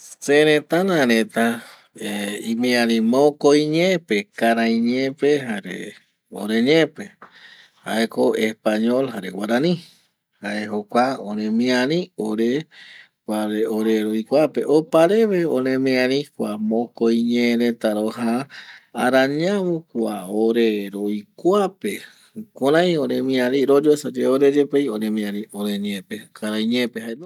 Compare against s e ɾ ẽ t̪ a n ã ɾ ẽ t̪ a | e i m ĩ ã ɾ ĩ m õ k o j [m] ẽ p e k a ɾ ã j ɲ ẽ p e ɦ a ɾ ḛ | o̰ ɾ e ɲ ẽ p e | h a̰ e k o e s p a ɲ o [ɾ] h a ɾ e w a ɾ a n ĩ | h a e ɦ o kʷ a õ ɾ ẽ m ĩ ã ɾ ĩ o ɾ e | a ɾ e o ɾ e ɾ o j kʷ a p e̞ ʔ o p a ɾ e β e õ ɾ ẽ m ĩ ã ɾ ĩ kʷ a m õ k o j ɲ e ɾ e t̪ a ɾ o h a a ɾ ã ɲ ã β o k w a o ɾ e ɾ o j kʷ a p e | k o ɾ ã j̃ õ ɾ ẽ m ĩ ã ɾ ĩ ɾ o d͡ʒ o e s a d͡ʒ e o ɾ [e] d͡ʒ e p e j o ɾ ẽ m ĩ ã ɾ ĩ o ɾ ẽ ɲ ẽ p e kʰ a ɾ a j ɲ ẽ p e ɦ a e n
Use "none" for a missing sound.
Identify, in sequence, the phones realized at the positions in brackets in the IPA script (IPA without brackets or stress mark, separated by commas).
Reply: ɲ, l, e